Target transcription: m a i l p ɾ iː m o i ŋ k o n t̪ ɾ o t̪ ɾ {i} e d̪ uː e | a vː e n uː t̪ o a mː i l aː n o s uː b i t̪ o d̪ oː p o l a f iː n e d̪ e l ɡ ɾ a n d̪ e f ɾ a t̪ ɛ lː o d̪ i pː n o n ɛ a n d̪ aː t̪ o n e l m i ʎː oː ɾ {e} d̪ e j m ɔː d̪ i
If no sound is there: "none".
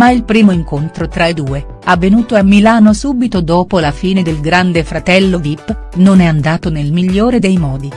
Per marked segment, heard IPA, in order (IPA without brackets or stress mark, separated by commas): a, e